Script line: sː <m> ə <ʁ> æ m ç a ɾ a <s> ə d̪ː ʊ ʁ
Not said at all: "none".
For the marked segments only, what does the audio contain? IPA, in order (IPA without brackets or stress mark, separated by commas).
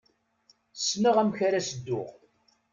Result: n, ʁ, s